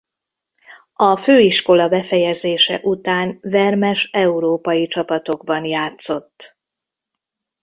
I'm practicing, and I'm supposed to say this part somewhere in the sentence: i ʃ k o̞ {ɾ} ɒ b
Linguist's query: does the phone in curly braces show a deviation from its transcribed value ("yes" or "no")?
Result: yes